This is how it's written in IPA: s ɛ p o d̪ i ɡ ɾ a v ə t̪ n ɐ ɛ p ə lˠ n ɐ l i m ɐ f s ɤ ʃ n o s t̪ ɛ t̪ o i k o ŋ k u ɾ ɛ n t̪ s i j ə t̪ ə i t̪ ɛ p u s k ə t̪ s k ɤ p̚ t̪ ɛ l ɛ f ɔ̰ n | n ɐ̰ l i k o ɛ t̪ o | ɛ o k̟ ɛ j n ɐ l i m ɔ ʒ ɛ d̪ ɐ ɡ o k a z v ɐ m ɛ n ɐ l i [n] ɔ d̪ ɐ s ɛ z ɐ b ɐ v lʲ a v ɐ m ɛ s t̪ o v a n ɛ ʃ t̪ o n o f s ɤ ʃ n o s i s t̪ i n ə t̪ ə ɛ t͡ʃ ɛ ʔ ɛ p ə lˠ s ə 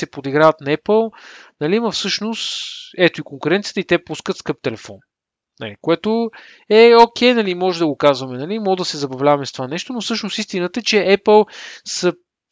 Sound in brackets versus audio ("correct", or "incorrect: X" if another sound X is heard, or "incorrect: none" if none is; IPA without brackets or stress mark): incorrect: m